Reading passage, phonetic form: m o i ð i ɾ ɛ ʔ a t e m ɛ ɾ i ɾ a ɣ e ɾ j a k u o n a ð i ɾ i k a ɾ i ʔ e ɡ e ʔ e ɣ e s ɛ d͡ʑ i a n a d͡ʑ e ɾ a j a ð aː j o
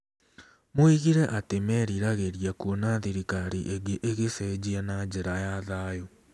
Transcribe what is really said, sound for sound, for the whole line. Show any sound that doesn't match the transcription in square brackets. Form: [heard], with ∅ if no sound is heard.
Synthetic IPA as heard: m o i [ɣ] i ɾ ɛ ʔ a t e m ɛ ɾ i ɾ a ɣ e ɾ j a k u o n a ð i ɾ i k a ɾ i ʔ e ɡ e ʔ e ɣ e s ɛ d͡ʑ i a n a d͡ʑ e ɾ a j a ð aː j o